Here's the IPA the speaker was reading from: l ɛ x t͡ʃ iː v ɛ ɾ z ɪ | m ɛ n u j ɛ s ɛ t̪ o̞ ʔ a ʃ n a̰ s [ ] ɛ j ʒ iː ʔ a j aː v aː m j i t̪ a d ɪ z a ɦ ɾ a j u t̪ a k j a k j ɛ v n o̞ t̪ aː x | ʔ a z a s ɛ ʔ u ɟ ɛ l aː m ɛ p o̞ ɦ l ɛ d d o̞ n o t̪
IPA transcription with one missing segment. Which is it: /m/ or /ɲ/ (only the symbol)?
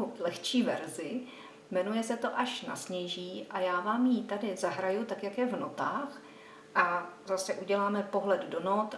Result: ɲ